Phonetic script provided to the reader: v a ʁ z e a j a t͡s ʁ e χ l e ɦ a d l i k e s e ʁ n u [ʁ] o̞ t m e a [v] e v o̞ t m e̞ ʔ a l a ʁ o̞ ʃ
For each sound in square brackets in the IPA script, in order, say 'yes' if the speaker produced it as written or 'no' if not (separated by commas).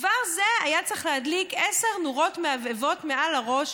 yes, yes